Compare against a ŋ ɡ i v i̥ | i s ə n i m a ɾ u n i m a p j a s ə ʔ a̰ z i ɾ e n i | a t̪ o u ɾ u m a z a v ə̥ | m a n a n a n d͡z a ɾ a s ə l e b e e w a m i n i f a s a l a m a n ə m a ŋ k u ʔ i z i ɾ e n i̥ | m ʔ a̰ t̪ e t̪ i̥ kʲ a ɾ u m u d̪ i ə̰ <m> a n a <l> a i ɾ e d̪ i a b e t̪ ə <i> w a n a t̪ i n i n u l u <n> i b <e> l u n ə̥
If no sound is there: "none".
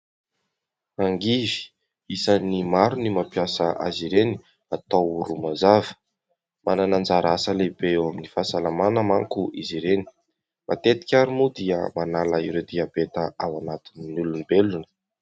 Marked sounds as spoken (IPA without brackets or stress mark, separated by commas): m, l, a, n, e